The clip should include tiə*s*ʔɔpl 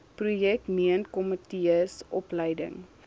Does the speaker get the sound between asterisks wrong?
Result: no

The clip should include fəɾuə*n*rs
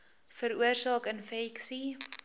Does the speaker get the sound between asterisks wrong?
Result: yes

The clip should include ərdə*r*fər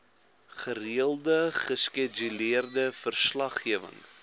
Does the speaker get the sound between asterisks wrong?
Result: yes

